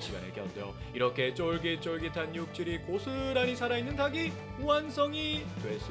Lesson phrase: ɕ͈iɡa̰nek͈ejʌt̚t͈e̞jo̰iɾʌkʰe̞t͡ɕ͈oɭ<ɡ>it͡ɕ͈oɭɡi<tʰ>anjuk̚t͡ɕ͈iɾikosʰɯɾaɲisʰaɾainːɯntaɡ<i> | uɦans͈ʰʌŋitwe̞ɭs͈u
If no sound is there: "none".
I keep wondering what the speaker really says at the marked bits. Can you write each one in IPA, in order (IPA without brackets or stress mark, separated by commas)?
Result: ɡ, tʰ, i